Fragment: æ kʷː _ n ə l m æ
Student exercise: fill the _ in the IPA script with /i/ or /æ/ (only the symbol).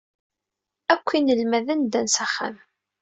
i